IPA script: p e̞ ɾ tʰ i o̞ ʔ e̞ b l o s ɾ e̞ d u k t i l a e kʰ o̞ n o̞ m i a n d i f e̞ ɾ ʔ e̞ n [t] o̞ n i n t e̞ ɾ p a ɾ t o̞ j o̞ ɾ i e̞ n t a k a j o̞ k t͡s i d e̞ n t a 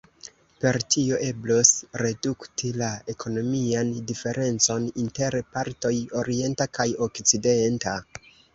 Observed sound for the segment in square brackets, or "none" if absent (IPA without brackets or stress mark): t͡s